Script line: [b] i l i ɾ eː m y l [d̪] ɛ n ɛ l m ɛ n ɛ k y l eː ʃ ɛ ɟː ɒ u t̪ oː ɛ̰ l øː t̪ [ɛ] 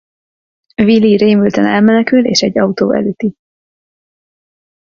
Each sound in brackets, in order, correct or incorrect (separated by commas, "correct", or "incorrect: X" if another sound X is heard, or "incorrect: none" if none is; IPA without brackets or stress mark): incorrect: v, incorrect: t̪, incorrect: i